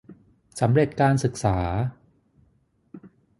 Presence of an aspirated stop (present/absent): absent